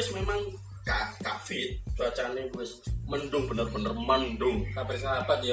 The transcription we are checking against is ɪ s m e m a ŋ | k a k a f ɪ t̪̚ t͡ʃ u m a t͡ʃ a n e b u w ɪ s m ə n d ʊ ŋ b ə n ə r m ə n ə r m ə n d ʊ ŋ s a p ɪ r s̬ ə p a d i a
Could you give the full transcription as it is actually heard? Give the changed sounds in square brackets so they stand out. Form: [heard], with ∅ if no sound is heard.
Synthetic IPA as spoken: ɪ s m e m a ŋ | k a k a f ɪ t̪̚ t͡ʃ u [∅] a t͡ʃ a n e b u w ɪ s m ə n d ʊ ŋ b ə n ə r [b] ə n ə r m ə n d ʊ ŋ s a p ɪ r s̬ [a] p a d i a